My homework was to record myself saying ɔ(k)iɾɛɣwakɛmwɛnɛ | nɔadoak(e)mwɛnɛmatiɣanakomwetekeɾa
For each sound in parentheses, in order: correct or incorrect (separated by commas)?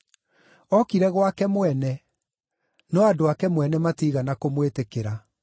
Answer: correct, incorrect